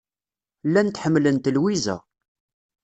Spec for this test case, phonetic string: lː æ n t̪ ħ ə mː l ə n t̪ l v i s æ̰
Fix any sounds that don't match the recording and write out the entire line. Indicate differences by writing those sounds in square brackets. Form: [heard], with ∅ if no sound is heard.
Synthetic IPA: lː æ n t̪ ħ ə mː l ə n t̪ l [w] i [z] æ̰